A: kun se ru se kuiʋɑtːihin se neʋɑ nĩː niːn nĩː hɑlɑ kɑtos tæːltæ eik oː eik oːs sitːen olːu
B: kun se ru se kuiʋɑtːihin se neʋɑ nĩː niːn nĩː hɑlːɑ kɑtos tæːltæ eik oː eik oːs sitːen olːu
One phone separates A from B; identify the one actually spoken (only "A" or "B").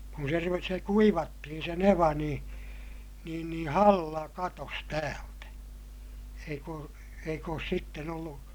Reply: B